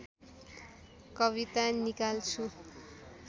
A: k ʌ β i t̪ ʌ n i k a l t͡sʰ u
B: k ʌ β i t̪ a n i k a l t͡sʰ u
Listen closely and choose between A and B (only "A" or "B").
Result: B